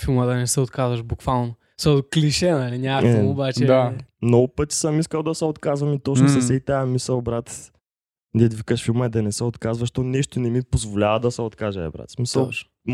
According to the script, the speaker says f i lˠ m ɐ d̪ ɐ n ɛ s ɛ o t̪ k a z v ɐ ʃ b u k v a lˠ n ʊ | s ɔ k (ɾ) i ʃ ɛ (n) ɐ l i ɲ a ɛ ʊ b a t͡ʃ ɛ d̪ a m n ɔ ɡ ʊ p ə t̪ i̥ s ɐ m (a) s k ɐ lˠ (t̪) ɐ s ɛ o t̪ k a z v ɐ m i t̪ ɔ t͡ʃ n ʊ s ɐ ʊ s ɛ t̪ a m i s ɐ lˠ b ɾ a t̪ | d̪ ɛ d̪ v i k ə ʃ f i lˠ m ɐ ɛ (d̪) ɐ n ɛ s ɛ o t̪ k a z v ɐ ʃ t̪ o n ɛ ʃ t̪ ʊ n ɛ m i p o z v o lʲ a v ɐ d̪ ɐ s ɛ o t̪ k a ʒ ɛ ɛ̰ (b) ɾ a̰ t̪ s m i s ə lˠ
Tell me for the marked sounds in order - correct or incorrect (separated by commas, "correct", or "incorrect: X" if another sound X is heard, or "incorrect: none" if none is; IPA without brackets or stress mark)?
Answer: incorrect: l, correct, incorrect: i, incorrect: d̪, correct, correct